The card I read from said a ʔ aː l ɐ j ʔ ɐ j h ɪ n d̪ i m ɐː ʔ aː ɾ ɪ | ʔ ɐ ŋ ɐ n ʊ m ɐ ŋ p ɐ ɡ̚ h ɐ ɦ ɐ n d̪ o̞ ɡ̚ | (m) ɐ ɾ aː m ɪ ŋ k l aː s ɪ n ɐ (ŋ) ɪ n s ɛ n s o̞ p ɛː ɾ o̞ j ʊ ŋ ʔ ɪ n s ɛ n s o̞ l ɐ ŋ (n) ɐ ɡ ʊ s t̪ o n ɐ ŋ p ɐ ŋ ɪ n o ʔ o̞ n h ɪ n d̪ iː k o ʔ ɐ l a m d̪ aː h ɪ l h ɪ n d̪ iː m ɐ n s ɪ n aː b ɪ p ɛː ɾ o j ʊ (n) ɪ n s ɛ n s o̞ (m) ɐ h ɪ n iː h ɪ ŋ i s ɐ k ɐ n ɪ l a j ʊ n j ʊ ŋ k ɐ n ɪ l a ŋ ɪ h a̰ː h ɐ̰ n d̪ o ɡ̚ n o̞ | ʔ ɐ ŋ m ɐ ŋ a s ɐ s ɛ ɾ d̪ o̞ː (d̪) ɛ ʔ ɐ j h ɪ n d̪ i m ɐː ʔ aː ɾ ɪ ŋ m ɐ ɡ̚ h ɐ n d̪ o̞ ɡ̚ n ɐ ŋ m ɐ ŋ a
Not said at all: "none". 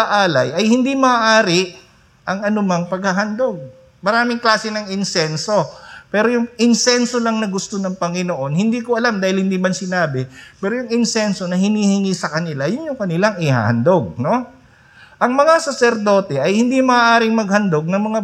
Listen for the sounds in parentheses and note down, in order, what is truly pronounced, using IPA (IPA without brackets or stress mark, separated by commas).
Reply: m, ŋ, n, ŋ, n, t̪